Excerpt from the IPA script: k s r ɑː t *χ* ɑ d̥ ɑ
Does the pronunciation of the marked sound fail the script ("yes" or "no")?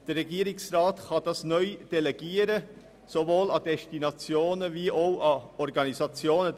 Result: no